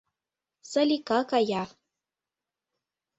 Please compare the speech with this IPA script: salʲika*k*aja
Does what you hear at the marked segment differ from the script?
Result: no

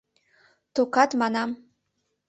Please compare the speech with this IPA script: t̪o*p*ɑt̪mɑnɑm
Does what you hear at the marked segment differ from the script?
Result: yes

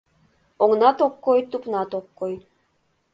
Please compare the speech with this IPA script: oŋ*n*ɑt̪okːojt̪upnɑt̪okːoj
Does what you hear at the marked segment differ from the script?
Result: no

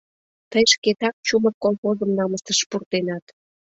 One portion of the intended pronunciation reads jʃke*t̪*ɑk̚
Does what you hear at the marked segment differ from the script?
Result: no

